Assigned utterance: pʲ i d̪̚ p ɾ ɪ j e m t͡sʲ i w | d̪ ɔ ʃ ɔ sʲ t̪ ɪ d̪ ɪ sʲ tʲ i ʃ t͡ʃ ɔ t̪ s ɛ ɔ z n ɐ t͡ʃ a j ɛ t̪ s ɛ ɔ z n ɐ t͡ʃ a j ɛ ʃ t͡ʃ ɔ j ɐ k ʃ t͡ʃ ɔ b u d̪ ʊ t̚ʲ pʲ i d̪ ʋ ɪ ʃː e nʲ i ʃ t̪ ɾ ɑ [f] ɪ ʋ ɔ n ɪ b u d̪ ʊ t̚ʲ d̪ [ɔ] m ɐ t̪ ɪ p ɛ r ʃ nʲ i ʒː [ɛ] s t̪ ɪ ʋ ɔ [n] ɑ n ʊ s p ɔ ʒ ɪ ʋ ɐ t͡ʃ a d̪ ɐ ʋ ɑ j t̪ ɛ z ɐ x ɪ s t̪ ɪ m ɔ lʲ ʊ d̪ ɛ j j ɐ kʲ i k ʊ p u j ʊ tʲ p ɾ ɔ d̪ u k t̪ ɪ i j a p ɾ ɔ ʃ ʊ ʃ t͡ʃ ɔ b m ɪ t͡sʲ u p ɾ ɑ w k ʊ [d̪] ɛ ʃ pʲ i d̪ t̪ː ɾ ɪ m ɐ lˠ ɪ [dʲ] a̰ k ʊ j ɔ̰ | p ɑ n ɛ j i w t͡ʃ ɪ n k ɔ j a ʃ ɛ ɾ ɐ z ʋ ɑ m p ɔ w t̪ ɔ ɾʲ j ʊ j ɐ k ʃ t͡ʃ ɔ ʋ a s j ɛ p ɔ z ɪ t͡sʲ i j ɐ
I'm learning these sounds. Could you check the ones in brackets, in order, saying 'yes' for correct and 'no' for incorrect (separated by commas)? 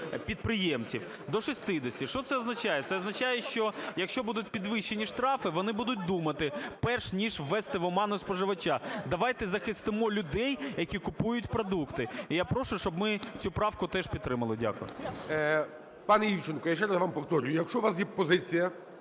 yes, no, yes, no, no, yes